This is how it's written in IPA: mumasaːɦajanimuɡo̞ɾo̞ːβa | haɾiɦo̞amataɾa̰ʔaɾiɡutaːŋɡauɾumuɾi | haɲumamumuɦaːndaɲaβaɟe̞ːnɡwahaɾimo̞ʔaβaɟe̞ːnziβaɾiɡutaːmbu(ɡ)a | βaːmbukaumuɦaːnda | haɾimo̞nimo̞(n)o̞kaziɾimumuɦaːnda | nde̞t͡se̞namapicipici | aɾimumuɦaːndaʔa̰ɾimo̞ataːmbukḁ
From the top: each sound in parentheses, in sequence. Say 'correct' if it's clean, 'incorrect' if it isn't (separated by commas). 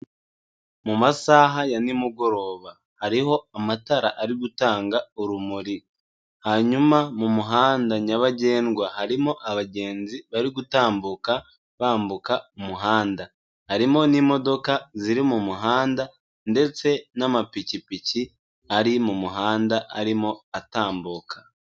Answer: incorrect, incorrect